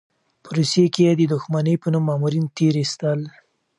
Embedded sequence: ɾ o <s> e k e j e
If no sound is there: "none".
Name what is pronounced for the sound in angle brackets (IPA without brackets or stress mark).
s